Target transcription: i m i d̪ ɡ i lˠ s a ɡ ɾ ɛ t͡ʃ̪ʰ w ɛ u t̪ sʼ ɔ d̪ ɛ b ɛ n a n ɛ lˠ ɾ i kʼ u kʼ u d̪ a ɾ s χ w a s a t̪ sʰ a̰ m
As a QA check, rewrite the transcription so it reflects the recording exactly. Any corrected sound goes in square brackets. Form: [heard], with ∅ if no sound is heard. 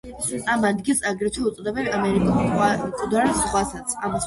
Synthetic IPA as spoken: [a] m [a] d̪ ɡ i lˠ s a ɡ ɾ ɛ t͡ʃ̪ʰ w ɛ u t̪ sʼ ɔ d̪ ɛ b ɛ n a [m] ɛ [∅] ɾ i kʼ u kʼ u d̪ a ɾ s χ w a s a t̪ sʰ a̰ m